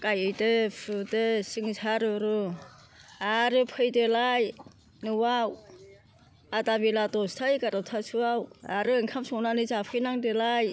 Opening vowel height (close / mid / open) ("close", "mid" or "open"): open